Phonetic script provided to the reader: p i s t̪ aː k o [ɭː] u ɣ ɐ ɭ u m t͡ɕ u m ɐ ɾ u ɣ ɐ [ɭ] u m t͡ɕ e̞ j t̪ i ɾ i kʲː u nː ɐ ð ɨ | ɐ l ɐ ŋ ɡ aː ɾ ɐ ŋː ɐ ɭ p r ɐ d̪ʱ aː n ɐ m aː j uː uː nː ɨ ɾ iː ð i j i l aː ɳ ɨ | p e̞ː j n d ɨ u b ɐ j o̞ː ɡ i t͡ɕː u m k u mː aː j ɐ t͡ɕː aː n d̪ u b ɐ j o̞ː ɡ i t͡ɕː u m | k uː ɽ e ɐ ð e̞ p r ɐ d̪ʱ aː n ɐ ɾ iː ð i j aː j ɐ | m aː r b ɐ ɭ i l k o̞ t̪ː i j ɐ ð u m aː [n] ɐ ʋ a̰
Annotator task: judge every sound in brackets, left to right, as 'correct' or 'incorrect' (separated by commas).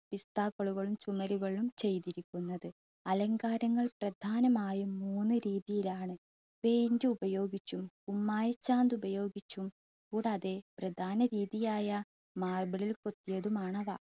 incorrect, correct, incorrect